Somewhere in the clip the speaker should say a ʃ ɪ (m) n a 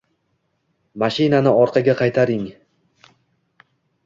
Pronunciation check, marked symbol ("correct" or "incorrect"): incorrect